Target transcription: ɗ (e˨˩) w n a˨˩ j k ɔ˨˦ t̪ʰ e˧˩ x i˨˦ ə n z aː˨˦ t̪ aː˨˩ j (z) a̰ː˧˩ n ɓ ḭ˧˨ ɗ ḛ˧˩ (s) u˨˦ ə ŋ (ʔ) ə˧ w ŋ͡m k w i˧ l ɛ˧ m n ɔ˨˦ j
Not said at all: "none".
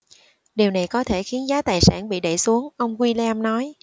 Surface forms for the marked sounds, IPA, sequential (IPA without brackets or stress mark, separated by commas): i˨˩, s, s, ʔ